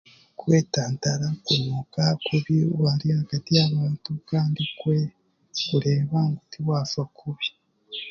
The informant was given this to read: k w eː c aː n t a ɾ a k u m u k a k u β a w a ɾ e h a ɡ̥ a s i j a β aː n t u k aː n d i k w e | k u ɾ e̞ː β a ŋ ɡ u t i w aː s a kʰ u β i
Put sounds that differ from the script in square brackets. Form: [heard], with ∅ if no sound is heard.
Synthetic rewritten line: k w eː [t] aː n t a ɾ a k u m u k a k u β [i] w a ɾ [i] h a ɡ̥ a [t] i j a β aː n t u k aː n d i k w e | k u ɾ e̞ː β a ŋ ɡ u t i w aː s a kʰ u β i